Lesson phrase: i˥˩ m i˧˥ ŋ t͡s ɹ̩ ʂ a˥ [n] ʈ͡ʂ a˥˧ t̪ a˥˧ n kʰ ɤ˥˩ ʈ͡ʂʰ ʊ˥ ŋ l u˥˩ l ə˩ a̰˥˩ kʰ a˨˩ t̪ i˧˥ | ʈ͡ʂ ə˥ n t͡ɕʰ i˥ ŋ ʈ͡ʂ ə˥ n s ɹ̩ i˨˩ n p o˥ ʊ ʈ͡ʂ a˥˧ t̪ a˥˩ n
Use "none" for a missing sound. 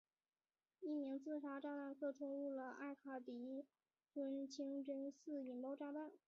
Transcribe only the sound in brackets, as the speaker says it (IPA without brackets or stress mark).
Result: none